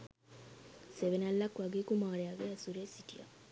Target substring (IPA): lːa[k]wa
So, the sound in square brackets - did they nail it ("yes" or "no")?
yes